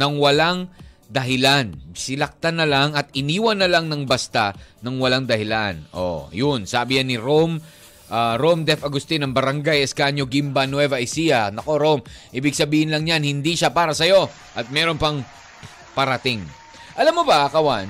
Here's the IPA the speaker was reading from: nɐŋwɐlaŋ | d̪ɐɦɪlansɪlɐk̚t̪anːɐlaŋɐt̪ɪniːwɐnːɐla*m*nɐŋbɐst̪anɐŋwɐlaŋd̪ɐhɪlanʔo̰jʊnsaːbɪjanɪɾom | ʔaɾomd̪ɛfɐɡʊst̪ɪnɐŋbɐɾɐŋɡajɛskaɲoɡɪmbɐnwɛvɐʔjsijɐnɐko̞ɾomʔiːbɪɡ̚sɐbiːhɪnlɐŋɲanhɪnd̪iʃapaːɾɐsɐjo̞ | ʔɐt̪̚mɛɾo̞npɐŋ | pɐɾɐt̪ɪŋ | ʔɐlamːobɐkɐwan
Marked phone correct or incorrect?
incorrect